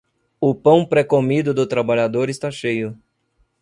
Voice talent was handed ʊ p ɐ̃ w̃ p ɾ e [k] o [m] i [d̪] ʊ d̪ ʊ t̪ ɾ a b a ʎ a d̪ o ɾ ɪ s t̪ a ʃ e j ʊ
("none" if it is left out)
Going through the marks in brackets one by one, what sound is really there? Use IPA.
k, m, d̪

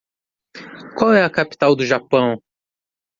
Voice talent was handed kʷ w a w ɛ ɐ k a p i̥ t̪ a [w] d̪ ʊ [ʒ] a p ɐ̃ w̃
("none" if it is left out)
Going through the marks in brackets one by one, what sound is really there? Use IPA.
w, ʒ

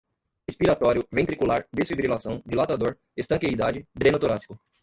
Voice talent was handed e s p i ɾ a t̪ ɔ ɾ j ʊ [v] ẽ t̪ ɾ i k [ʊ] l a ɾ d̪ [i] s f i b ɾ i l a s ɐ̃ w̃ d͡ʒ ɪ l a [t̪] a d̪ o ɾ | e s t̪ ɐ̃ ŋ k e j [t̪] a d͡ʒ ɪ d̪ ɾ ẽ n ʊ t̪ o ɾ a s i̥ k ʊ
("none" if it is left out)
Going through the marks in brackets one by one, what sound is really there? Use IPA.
v, u, e, t̪, d̪

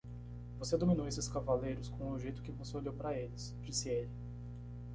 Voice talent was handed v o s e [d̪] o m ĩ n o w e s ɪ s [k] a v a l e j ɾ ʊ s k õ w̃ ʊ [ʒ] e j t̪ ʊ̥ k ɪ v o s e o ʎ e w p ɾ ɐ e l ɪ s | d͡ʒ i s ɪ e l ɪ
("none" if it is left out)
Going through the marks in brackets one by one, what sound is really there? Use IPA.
d̪, k, ʒ

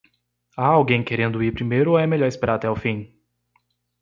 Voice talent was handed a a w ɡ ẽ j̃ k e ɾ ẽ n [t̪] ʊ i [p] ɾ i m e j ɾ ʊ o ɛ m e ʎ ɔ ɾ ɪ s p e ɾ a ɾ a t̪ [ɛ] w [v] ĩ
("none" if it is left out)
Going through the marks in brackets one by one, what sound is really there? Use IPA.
d̪, p, ɛ, f

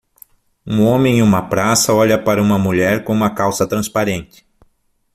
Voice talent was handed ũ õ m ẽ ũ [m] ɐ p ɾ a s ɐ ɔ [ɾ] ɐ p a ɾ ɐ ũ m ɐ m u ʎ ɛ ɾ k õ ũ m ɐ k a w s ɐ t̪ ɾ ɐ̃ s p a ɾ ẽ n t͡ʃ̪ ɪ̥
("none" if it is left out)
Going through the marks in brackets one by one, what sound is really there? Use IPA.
m, ʎ

